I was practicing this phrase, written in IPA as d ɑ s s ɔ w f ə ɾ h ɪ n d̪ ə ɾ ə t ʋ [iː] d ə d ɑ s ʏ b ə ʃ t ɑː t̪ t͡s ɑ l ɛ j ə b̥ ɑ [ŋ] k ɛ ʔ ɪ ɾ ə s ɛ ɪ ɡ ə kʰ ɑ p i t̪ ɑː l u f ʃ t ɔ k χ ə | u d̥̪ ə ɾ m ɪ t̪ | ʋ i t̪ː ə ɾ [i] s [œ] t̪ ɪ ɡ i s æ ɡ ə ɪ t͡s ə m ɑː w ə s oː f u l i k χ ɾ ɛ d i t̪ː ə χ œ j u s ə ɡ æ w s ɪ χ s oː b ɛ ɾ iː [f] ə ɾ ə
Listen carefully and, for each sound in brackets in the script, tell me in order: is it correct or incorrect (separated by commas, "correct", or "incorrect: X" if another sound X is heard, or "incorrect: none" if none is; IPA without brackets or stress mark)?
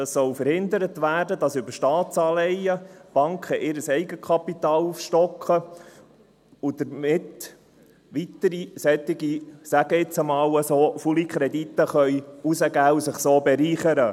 incorrect: æː, correct, correct, incorrect: ɛ, incorrect: χ